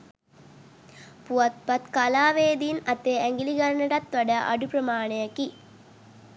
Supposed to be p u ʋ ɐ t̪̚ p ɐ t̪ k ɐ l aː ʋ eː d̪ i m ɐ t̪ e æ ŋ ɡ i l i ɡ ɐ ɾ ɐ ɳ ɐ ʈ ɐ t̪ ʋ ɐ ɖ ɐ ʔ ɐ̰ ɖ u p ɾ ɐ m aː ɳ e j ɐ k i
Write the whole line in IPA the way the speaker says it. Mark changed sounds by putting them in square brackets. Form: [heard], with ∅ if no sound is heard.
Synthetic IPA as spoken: p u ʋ ɐ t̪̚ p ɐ t̪ k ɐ l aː ʋ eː d̪ i [n] ɐ t̪ e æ ŋ ɡ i l i ɡ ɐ ɾ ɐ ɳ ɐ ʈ ɐ t̪ ʋ ɐ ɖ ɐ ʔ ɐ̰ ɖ u p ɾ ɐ m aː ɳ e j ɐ k i